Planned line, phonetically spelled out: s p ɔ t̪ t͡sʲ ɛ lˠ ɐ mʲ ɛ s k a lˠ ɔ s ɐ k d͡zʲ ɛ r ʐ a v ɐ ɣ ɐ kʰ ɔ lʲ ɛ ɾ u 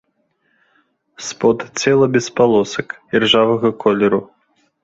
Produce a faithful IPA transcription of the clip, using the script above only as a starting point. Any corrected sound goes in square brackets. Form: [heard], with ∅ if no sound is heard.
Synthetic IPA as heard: s p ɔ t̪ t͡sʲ ɛ lˠ ɐ [bʲ] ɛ s [p] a lˠ ɔ s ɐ k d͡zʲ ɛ r ʐ a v ɐ ɣ ɐ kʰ ɔ lʲ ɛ ɾ u